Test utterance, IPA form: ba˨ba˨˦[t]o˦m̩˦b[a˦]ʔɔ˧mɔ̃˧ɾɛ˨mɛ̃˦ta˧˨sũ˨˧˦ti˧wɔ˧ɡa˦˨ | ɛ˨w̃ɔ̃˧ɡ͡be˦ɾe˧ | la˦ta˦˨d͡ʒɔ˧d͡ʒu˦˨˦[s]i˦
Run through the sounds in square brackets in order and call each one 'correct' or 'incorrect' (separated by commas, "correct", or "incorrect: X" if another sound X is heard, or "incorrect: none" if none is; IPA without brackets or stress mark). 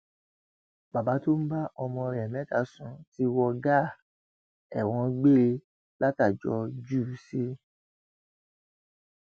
correct, correct, correct